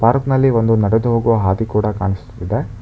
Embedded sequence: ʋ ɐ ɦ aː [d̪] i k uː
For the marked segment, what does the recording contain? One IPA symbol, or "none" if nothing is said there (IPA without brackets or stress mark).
d̪